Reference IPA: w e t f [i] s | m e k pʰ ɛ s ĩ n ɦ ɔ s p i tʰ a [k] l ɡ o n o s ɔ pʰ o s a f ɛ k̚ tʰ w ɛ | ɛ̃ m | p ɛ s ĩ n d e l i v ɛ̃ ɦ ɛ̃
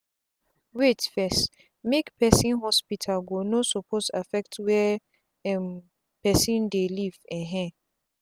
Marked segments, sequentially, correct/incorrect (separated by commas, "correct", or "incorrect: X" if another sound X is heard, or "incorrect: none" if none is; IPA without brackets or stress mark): incorrect: ɛ, incorrect: none